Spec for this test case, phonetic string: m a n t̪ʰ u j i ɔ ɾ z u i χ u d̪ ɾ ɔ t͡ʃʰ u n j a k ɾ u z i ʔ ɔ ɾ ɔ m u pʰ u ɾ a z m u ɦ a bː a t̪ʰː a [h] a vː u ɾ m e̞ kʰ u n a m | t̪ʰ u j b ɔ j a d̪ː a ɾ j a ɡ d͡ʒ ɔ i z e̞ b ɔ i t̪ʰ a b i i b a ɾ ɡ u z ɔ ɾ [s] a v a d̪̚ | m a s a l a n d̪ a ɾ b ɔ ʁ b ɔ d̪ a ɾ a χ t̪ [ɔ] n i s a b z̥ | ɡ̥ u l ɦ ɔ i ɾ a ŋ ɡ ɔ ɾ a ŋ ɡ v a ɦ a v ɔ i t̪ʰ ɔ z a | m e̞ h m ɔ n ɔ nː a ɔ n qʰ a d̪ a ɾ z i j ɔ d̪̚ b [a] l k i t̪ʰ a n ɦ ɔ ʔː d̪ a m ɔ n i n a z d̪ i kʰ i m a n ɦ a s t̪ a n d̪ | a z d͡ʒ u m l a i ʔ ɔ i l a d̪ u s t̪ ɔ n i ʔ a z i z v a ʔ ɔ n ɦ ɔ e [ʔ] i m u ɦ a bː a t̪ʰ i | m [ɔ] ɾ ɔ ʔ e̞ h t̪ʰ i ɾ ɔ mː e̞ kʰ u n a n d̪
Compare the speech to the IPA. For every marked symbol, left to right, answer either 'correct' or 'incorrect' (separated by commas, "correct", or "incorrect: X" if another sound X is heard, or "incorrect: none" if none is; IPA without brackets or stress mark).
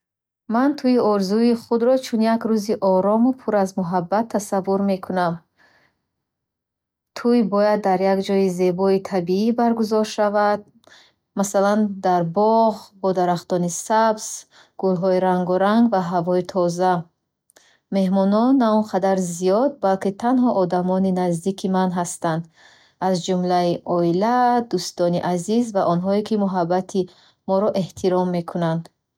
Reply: incorrect: s, incorrect: ʃ, correct, correct, incorrect: k, correct